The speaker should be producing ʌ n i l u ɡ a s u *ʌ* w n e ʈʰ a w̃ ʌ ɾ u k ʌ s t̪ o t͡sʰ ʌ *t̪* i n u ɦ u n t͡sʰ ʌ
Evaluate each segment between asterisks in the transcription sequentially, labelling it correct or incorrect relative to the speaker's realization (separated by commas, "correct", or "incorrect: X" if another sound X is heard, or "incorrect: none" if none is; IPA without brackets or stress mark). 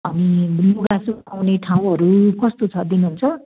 incorrect: a, incorrect: d̪